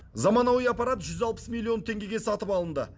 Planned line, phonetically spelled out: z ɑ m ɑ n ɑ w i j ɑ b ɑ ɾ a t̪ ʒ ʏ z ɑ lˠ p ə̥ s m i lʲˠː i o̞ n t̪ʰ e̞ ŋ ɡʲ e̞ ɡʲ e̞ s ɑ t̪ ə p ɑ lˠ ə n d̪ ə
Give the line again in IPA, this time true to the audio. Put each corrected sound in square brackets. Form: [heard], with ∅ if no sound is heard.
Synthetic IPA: z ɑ m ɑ n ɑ w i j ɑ [p] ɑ ɾ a t̪ ʒ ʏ z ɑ lˠ p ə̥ s m i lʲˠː i o̞ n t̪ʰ e̞ ŋ ɡʲ e̞ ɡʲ e̞ s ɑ t̪ ə p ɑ lˠ ə n d̪ ə

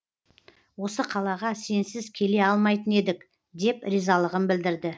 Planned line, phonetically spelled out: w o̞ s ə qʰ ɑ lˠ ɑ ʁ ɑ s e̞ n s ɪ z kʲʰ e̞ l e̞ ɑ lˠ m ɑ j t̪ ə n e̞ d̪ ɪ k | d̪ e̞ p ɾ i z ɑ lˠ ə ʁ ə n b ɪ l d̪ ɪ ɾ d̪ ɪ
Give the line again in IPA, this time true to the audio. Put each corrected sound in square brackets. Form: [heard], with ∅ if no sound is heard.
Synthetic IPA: w o̞ s ə qʰ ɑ lˠ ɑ ʁ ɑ s e̞ n s ɪ z kʲʰ e̞ l e̞ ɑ lˠ m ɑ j t̪ ə n e̞ d̪ ɪ k | d̪ e̞ p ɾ i z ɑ lˠ ə ʁ ə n b ɪ l d̪ ɪ ɾ d̪ ɪ

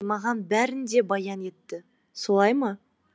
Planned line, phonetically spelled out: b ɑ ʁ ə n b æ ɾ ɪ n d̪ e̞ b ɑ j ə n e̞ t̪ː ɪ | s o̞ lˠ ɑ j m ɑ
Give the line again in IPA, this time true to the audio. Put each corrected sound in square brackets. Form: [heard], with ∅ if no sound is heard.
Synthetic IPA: [m] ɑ ʁ [ɑ] n b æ ɾ ɪ n d̪ e̞ b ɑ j [ɑ] n e̞ t̪ː ɪ | s o̞ lˠ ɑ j m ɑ

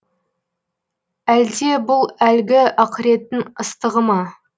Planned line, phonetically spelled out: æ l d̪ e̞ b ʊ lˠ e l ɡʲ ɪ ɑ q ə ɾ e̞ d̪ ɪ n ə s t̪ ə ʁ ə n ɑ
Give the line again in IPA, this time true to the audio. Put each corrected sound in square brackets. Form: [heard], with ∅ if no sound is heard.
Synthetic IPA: æ l d̪ e̞ b ʊ lˠ [æ] l ɡʲ ɪ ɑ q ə ɾ e̞ [t̪] ɪ n ə s t̪ ə ʁ ə [m] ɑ

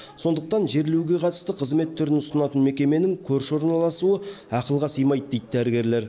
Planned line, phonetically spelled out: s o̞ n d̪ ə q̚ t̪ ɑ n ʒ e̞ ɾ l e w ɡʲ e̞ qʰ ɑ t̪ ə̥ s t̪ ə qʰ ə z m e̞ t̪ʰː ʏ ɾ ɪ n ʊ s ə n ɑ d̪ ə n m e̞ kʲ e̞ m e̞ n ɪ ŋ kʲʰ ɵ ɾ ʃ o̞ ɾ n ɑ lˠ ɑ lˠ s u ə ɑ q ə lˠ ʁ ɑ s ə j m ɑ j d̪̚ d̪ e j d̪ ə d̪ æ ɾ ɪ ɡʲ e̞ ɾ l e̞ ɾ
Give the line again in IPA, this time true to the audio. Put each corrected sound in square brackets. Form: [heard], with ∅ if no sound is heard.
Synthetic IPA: s o̞ n d̪ ə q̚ t̪ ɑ n ʒ e̞ ɾ l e w ɡʲ e̞ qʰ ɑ t̪ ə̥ s t̪ ə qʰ ə z m e̞ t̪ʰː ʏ ɾ ɪ n ʊ s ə n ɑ [t̪] ə n m e̞ kʲ e̞ m e̞ n ɪ ŋ kʲʰ ɵ ɾ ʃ o̞ ɾ n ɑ lˠ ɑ [∅] s u ə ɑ q ə lˠ ʁ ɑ s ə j m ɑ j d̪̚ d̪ e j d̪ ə d̪ æ ɾ ɪ ɡʲ e̞ ɾ l e̞ ɾ

